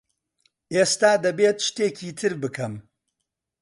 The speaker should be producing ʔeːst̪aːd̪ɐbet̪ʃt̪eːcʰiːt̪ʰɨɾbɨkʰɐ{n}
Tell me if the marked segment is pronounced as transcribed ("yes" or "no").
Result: no